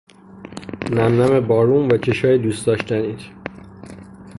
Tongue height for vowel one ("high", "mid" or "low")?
low